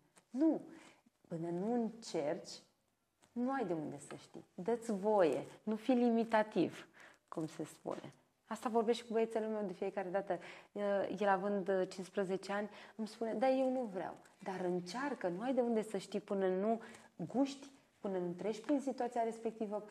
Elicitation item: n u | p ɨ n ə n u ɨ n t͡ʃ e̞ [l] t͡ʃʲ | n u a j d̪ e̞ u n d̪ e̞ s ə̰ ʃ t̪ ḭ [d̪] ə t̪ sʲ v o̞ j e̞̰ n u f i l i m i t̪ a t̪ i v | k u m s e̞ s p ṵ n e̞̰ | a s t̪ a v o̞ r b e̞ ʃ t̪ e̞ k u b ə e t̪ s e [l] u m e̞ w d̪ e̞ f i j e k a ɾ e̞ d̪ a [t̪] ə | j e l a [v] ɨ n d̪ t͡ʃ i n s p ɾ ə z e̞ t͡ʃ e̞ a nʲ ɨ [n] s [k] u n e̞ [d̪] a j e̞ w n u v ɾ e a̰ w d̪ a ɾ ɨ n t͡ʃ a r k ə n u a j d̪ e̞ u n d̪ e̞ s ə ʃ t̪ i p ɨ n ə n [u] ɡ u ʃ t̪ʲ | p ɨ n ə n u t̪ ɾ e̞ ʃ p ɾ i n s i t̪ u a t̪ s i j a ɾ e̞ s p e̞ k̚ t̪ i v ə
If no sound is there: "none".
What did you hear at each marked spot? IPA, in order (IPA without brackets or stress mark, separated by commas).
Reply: r, d̪, l, t̪, v, m, p, d̪, u